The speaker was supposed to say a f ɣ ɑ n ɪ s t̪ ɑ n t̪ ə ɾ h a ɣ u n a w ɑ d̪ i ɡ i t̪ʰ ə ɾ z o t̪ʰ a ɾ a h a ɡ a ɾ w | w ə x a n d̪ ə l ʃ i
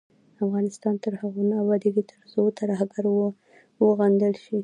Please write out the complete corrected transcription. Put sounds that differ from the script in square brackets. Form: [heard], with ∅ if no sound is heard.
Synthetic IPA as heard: a f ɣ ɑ n ɪ s t̪ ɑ n t̪ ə ɾ h a ɣ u n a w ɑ d̪ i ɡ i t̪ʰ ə ɾ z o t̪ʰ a ɾ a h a ɡ a ɾ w | w ə [ɣ] a n d̪ ə l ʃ i